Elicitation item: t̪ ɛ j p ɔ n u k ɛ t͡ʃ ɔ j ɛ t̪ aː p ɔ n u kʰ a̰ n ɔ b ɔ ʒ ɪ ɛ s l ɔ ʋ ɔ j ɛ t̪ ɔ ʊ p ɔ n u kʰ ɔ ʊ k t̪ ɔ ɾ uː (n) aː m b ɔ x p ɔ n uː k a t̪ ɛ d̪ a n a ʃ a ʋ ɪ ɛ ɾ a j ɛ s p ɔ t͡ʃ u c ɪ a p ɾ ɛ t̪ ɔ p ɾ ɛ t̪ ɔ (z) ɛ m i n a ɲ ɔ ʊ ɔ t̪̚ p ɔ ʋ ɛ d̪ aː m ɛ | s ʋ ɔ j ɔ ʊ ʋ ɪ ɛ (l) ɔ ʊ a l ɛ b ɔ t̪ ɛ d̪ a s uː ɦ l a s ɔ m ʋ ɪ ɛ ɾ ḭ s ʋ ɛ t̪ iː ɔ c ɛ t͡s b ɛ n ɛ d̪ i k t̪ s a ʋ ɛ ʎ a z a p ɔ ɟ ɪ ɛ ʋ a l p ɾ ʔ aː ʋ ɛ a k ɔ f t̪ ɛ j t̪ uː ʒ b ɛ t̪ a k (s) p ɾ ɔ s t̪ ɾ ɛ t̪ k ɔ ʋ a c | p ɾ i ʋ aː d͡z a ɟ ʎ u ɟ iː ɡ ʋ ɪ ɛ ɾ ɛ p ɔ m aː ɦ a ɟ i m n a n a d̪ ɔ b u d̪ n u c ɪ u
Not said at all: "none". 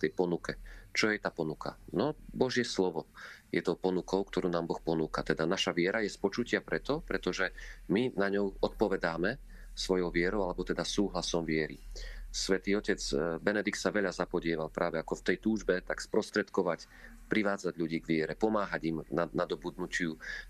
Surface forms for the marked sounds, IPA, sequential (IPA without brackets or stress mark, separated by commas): n, ʒ, ɾ, s